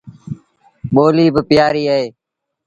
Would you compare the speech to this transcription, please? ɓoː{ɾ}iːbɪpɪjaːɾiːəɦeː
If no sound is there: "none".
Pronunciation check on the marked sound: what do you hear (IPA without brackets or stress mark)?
l